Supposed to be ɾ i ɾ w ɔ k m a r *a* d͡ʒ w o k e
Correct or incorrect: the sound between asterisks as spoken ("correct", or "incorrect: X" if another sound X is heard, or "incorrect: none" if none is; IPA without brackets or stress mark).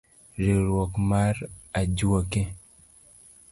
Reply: correct